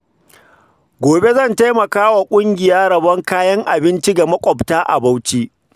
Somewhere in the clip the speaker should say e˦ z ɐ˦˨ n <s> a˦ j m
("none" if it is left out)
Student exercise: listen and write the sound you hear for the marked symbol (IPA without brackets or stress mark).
t